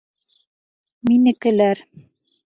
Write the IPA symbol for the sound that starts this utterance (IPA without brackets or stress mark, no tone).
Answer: m